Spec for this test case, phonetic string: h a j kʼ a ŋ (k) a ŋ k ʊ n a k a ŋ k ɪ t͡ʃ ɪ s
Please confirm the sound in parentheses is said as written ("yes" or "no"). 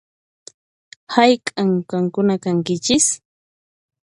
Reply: yes